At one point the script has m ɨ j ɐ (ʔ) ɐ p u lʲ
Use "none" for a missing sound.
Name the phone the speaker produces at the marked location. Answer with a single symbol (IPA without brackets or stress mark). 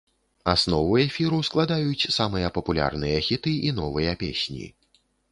p